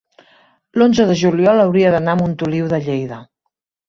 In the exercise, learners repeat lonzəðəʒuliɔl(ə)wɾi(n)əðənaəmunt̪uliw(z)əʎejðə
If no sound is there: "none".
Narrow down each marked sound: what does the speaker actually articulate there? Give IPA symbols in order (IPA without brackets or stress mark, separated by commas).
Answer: ə, none, ð